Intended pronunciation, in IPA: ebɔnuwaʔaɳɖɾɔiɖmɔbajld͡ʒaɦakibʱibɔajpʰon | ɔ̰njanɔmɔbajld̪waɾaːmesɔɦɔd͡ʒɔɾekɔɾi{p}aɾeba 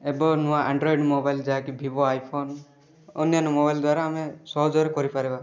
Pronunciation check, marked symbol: correct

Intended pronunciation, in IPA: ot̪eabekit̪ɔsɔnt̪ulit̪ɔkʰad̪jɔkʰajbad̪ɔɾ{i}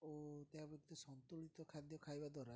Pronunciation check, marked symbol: incorrect: a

